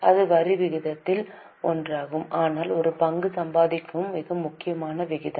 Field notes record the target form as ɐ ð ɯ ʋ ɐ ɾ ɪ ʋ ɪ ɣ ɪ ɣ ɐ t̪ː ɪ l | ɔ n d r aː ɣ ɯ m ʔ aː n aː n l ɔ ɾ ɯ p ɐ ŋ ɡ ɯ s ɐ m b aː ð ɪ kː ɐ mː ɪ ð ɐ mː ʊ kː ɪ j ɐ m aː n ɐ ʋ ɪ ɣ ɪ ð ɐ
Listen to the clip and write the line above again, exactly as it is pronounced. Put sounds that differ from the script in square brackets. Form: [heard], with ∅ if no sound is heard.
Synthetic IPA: ɐ ð ɯ ʋ ɐ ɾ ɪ ʋ ɪ ɣ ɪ [ð] ɐ t̪ː ɪ l | ɔ n d r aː ɣ ɯ m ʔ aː n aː [∅] l ɔ ɾ ɯ p ɐ ŋ ɡ ɯ s ɐ m b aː ð ɪ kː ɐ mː ɪ [ɣ] ɐ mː ʊ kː ɪ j ɐ m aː n ɐ ʋ ɪ ɣ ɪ ð ɐ